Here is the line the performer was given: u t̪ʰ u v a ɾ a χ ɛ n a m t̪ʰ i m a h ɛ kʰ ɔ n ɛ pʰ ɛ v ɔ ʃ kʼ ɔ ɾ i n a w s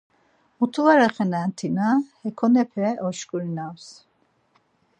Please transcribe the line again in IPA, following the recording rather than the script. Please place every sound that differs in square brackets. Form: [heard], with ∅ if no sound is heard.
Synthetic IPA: u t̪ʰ u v a ɾ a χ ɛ n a [n] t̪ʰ i [n] a h ɛ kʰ ɔ n ɛ pʰ ɛ [∅] ɔ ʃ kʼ [u] ɾ i n a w s